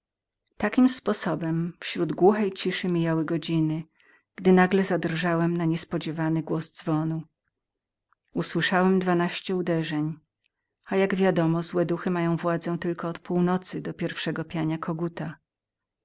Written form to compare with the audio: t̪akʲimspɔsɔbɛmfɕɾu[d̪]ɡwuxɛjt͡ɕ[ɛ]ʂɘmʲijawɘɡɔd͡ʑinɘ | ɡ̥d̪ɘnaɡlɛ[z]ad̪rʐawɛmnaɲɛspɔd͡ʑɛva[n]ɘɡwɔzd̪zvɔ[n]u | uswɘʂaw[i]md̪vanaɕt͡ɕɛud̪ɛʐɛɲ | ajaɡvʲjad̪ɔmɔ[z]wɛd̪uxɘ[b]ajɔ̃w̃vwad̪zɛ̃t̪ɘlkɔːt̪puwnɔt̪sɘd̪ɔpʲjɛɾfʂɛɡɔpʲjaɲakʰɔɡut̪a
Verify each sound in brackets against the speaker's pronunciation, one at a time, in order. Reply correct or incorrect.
correct, incorrect, correct, correct, correct, incorrect, correct, incorrect

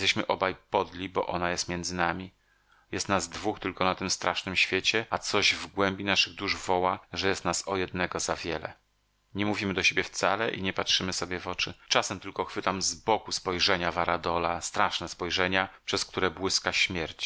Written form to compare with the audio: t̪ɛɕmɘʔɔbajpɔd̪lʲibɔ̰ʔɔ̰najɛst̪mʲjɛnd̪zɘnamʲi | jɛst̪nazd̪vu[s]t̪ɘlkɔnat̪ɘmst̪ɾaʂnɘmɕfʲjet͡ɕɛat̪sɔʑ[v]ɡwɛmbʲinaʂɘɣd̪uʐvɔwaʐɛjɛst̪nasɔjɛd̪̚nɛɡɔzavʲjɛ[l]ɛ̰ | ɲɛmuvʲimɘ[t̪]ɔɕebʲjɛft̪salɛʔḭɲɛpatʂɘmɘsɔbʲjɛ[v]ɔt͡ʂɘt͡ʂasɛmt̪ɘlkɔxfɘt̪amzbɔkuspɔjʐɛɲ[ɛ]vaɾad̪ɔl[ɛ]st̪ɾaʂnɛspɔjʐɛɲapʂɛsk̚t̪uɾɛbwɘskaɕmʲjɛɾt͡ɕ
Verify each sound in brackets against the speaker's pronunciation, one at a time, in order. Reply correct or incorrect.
incorrect, correct, correct, incorrect, correct, incorrect, incorrect

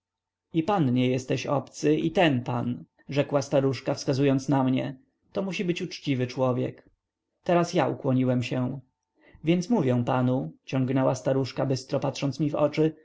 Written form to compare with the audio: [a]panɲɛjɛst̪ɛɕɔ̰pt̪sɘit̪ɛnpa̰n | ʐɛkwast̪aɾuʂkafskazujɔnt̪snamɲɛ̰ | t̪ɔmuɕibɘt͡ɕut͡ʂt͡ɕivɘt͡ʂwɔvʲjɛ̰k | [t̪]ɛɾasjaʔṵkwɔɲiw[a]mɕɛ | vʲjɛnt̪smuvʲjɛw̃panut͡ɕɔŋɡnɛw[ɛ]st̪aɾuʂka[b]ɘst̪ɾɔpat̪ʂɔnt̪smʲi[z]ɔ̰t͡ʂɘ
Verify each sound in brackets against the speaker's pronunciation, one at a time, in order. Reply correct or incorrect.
incorrect, correct, incorrect, incorrect, correct, incorrect

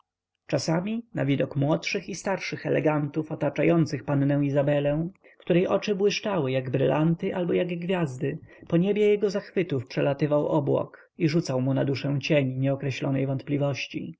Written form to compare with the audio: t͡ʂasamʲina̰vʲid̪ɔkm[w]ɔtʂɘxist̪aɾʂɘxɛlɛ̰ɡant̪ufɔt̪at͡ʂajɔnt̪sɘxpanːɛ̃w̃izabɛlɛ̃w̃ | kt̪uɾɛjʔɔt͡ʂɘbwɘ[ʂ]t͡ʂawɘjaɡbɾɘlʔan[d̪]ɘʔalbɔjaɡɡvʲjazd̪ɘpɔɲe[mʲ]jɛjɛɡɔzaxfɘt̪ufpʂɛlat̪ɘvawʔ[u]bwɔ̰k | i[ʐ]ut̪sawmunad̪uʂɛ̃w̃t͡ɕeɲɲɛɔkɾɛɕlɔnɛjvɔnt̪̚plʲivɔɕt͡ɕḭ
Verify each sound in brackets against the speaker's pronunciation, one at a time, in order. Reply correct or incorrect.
correct, correct, incorrect, incorrect, incorrect, correct

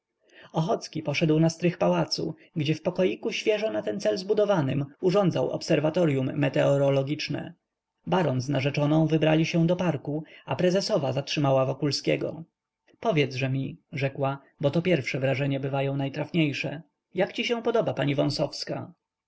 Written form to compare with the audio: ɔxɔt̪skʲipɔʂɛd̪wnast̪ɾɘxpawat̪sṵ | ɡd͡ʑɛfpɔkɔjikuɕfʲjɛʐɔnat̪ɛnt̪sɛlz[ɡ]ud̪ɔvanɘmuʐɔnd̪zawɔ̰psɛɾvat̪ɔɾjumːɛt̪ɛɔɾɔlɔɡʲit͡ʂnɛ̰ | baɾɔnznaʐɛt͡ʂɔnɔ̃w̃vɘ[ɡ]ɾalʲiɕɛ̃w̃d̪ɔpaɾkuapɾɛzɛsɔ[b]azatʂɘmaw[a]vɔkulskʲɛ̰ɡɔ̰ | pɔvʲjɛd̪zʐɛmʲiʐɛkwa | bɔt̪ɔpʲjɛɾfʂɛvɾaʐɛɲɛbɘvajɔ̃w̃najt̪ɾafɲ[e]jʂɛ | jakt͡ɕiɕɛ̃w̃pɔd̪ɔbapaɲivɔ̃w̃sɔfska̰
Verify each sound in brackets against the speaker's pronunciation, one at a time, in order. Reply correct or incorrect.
incorrect, incorrect, incorrect, correct, correct

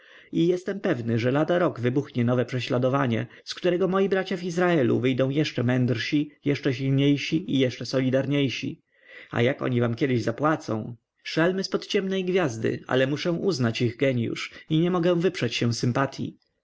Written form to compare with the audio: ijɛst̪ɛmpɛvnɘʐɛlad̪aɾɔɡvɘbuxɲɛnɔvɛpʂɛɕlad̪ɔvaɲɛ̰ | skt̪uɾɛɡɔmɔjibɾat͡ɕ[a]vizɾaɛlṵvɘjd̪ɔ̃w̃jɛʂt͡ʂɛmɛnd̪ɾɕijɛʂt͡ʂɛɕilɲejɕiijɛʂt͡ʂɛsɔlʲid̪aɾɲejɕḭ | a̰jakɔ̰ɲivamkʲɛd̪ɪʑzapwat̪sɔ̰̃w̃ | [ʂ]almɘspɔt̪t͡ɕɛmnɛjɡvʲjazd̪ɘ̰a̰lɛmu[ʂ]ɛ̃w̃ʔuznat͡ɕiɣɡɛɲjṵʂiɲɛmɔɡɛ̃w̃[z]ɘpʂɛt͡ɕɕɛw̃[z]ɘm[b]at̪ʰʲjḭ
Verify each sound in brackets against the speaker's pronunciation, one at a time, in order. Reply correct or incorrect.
correct, correct, correct, incorrect, incorrect, incorrect

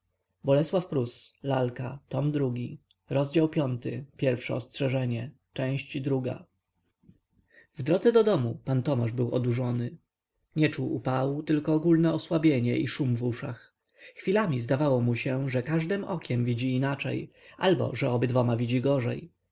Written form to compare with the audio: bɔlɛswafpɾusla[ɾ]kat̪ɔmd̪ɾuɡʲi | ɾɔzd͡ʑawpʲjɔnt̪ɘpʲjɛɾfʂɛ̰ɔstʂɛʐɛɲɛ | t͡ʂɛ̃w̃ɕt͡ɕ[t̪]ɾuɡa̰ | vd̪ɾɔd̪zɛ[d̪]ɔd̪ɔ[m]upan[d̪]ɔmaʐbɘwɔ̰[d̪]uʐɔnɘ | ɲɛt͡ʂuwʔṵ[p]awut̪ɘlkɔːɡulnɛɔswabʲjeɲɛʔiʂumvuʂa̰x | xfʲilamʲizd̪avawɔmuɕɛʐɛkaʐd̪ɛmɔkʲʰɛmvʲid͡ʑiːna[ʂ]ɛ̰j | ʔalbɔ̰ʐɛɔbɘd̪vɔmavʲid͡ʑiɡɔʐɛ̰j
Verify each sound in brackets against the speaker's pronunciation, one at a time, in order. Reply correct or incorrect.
incorrect, incorrect, correct, correct, incorrect, correct, correct, incorrect

